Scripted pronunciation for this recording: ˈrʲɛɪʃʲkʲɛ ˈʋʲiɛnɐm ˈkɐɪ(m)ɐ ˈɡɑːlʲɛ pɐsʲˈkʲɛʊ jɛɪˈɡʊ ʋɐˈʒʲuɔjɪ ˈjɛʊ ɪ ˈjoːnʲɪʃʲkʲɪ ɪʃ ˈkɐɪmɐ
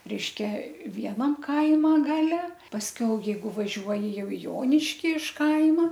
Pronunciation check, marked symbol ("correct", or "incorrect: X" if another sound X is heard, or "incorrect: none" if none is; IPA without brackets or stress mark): correct